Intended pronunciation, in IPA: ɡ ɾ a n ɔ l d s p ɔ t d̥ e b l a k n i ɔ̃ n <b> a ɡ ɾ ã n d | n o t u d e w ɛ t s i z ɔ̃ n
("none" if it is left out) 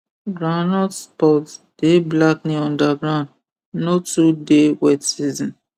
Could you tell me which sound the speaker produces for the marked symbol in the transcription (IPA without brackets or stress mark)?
d